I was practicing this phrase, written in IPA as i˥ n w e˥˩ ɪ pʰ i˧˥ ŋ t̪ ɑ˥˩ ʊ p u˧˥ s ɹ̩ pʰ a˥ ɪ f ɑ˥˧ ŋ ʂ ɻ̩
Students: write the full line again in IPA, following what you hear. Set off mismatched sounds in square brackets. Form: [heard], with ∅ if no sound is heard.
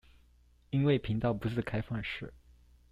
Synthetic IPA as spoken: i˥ n w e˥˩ ɪ pʰ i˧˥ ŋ t̪ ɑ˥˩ ʊ p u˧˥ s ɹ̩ [kʰ] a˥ ɪ f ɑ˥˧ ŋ ʂ ɻ̩